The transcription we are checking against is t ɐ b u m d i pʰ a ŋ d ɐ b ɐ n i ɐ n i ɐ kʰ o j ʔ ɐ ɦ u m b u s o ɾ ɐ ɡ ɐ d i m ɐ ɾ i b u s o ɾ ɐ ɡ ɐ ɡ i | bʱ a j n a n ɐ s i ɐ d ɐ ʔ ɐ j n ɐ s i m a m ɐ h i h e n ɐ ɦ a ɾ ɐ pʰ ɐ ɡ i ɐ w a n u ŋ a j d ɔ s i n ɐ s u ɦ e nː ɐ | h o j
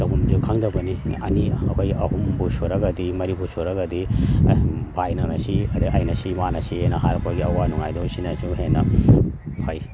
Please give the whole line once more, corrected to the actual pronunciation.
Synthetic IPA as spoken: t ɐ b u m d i kʰ a ŋ d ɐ b ɐ n i ɐ n i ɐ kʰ o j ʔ ɐ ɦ u m b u s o ɾ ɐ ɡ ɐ d i m ɐ ɾ i b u s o ɾ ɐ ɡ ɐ d i | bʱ a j n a n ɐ s i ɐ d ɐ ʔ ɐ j n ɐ s i m a n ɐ s i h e n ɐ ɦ a ɾ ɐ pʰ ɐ ɡ i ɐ w a n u ŋ a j d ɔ s i n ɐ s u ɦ e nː ɐ | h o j